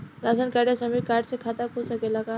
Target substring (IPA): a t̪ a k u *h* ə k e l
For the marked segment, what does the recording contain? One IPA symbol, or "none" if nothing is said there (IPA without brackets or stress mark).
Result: s